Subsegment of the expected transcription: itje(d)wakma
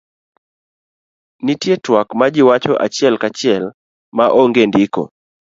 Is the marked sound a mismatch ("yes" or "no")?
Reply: yes